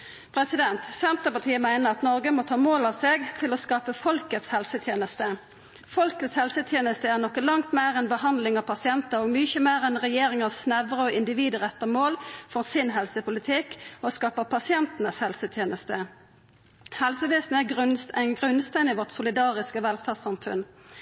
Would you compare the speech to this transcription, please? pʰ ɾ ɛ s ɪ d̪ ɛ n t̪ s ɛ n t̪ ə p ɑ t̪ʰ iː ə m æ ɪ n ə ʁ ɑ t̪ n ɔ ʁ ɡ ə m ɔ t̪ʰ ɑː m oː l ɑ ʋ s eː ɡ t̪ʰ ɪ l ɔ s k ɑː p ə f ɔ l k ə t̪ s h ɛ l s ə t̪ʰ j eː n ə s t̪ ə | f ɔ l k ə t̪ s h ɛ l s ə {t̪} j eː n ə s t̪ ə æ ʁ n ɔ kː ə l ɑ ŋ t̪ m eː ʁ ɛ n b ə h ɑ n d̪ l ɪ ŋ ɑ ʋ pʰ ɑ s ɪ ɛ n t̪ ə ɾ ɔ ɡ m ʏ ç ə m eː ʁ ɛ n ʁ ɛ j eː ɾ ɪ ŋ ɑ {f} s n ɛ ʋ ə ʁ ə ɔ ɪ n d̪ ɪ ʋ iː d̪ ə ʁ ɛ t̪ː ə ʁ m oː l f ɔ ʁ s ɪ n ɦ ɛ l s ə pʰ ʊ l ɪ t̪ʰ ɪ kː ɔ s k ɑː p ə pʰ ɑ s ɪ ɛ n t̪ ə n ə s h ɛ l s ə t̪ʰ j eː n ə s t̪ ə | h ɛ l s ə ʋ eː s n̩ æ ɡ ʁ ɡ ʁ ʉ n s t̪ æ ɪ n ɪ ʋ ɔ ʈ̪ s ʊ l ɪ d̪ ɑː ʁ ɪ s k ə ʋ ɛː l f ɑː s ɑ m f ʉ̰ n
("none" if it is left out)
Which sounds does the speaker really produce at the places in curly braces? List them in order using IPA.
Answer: t̪ʰ, s

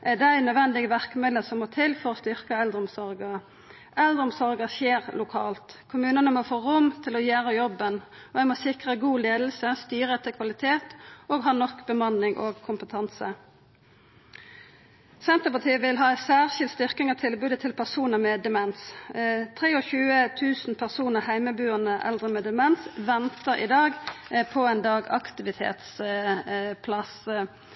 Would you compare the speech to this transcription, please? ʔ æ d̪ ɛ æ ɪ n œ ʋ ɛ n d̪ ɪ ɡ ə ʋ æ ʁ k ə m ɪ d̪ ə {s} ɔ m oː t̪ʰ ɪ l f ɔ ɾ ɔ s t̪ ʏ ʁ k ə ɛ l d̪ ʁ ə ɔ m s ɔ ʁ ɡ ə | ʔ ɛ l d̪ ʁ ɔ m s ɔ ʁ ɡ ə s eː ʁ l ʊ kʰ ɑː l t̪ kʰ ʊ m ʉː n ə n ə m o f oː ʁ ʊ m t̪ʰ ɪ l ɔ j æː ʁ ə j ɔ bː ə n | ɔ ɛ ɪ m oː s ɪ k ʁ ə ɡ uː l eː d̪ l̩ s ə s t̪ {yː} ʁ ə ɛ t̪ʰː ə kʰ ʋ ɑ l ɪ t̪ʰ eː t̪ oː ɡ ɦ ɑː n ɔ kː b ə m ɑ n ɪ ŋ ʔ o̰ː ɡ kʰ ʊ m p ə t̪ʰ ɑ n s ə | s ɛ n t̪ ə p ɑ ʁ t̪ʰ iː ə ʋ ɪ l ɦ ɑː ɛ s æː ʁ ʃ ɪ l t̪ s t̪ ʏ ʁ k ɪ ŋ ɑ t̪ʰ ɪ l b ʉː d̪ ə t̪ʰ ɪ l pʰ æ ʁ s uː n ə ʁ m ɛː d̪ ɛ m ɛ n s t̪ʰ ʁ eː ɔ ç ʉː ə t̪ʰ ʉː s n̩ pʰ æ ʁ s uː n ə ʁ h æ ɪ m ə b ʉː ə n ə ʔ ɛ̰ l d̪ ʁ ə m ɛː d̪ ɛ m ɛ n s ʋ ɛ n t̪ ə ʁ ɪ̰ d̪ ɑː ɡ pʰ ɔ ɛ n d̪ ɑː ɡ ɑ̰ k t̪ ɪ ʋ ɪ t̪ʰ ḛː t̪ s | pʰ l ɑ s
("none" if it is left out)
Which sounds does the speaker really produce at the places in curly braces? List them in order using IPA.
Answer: s, yː

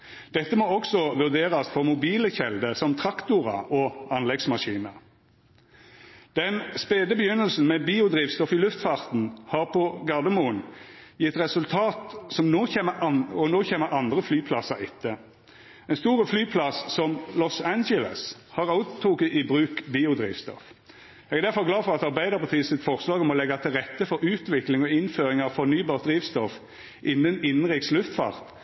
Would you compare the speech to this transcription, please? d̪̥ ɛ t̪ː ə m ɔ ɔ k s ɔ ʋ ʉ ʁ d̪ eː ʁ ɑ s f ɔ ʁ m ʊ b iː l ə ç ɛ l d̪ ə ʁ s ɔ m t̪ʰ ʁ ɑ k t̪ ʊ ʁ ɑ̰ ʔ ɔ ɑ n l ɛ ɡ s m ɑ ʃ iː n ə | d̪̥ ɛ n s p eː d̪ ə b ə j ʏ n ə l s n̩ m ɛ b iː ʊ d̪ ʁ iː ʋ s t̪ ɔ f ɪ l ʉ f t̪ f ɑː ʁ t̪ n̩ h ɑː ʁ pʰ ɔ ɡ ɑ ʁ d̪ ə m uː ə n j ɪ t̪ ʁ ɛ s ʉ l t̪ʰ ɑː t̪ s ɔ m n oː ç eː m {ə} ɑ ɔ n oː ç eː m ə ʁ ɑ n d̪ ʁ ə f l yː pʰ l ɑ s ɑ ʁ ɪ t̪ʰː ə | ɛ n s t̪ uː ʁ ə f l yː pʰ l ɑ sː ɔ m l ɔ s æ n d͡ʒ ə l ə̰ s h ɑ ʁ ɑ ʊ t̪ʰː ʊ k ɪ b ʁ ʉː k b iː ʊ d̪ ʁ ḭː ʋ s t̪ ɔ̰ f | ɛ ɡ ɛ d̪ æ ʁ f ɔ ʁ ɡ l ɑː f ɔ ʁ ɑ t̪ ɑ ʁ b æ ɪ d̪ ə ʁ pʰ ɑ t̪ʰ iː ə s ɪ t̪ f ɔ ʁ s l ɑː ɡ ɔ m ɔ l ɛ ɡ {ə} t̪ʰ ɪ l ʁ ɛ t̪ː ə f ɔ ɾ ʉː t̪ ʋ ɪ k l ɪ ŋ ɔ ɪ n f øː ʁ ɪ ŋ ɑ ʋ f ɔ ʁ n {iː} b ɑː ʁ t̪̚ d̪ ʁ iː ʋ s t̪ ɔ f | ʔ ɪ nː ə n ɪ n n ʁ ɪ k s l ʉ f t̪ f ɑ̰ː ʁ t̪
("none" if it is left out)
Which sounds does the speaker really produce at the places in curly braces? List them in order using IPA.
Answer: ə, ɑ, yː

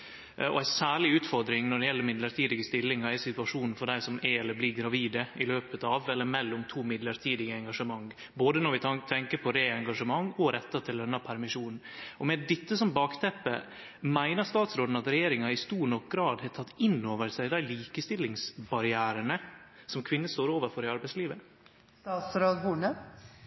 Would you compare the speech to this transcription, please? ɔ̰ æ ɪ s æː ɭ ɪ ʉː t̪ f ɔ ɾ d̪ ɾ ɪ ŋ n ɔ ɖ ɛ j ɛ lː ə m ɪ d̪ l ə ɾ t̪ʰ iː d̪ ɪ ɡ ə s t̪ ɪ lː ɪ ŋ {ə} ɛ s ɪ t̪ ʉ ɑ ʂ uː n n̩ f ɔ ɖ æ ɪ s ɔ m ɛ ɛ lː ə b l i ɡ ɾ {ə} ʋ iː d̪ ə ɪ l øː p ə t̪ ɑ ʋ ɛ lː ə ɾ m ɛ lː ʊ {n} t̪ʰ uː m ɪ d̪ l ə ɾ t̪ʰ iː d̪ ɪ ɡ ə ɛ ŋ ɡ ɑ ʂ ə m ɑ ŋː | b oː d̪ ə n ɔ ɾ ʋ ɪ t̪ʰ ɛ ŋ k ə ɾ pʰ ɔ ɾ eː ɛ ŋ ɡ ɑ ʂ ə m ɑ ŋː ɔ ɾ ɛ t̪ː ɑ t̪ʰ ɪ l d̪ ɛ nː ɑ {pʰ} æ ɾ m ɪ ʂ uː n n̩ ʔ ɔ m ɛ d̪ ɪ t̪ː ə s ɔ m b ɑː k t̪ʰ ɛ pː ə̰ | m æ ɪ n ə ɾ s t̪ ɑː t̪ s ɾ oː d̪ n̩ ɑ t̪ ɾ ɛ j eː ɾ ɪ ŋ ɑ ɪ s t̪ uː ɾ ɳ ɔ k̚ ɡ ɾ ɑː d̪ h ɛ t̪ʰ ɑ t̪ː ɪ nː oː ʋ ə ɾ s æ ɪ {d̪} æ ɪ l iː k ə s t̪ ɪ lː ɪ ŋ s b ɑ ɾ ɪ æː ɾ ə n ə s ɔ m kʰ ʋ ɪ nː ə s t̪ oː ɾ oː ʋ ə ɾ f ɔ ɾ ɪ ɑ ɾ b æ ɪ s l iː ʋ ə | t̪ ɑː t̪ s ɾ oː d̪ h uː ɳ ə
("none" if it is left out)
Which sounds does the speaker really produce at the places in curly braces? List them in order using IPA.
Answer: ɑ, ɑ, m, pʰ, d̪

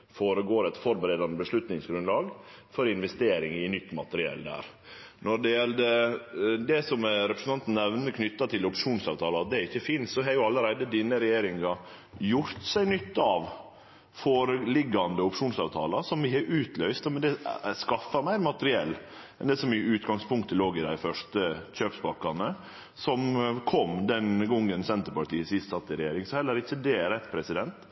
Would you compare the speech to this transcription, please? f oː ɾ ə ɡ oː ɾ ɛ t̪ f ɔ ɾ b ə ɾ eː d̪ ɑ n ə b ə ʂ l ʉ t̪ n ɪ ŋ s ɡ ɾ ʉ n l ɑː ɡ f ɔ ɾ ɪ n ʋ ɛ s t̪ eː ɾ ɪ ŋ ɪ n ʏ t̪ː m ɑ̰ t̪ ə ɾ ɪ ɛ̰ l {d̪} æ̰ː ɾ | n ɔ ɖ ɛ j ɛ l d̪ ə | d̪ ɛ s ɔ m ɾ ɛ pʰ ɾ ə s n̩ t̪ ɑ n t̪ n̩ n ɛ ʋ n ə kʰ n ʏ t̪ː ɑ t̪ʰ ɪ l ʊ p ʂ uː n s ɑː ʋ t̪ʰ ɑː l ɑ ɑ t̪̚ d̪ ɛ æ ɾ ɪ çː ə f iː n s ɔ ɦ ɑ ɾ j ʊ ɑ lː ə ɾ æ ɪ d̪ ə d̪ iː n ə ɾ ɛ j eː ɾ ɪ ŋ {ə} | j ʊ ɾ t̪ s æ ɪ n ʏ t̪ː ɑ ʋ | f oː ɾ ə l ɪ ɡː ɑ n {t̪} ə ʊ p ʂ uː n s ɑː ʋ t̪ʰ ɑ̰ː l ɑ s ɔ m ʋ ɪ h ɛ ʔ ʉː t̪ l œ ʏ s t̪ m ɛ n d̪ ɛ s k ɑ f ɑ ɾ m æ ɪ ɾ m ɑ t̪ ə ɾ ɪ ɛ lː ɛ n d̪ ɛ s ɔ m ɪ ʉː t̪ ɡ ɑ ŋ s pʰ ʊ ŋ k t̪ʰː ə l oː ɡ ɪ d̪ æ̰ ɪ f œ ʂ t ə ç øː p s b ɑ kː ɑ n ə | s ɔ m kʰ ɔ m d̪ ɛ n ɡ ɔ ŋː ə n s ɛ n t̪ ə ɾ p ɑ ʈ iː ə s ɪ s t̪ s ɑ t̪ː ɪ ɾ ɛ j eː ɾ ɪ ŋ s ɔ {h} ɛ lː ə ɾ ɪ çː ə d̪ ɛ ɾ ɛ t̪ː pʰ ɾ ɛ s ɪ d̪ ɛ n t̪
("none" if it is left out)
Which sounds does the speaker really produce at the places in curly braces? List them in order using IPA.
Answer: d̪, ɑ, d̪, h

